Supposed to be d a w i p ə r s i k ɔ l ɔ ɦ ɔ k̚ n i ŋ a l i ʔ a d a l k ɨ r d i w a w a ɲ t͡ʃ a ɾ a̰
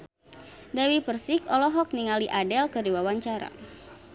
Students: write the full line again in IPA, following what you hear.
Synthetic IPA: d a w i p ə r s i k ɔ l ɔ ɦ ɔ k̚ n i ŋ a l i ʔ a d ɛ l k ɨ r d i w a w a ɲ t͡ʃ a ɾ a̰